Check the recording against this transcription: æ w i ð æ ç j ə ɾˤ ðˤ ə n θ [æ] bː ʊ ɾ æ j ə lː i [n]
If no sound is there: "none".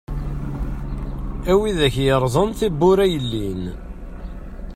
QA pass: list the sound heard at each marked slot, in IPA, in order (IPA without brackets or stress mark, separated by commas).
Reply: i, n